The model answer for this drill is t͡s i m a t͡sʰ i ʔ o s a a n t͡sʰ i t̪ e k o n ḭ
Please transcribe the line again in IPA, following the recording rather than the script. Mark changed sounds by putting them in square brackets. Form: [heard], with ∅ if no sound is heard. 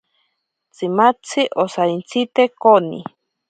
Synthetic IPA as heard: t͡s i m a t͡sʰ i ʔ o s a [i] n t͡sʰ i t̪ e k o n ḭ